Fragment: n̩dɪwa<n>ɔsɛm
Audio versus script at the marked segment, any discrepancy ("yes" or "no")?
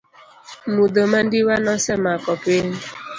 no